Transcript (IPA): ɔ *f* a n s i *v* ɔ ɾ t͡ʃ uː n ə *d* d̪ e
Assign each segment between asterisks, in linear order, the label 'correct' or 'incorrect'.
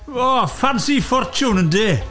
correct, incorrect, incorrect

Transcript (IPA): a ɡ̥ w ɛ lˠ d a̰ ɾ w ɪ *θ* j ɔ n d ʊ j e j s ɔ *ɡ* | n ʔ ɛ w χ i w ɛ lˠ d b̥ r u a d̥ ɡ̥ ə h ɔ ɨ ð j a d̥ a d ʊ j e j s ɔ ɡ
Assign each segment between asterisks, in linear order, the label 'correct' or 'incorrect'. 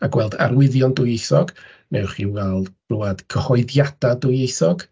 incorrect, correct

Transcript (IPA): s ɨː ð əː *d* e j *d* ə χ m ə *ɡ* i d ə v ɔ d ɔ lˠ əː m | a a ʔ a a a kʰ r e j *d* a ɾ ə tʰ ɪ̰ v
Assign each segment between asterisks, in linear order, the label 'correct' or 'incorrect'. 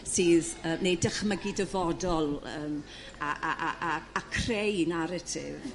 incorrect, correct, correct, incorrect

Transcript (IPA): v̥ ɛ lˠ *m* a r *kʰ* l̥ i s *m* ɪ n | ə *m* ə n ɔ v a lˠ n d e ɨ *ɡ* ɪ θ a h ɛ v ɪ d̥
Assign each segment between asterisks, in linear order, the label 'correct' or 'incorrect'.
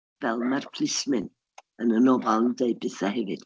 correct, incorrect, correct, incorrect, incorrect

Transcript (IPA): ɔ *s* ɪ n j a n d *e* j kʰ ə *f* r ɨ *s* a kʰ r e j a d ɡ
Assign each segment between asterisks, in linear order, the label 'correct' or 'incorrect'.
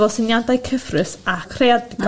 correct, incorrect, correct, correct

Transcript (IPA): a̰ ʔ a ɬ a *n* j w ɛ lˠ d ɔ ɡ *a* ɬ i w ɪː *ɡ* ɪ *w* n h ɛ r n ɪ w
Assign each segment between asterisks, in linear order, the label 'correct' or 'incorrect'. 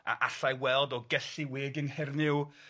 incorrect, incorrect, correct, incorrect

